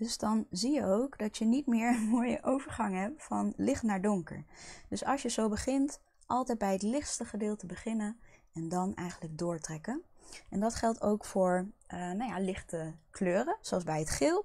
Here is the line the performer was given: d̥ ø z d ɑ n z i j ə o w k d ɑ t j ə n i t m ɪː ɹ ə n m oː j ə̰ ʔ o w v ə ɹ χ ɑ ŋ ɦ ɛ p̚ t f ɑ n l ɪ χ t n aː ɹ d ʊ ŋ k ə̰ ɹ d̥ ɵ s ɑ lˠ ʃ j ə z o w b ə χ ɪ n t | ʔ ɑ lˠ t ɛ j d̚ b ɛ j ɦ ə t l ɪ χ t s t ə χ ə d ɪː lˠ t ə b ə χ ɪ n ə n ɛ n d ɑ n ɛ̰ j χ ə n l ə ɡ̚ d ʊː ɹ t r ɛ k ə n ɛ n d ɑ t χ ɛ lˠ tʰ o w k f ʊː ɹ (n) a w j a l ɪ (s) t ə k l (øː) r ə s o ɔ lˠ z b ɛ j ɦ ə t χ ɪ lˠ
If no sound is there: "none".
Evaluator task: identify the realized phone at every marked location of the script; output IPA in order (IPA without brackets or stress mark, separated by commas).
n, χ, øː